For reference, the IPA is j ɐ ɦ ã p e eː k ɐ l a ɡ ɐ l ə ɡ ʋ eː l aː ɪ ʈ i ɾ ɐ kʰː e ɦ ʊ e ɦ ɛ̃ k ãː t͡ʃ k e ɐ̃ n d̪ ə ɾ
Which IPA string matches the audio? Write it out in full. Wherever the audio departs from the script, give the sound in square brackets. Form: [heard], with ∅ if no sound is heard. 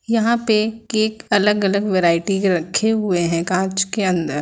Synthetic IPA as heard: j ɐ ɦ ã p e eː k ɐ l [ə] ɡ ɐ l ə ɡ ʋ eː [ɾ] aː ɪ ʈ i ɾ ɐ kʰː e ɦ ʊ e ɦ ɛ̃ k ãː t͡ʃ k e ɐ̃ n d̪ ə ɾ